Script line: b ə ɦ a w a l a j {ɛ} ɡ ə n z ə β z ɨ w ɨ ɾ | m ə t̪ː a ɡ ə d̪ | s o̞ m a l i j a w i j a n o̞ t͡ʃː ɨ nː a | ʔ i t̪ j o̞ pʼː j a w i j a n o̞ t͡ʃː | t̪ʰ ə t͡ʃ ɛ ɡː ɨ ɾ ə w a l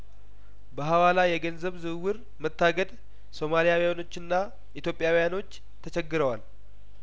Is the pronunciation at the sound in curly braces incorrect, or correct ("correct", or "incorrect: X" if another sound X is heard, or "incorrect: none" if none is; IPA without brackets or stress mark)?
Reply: correct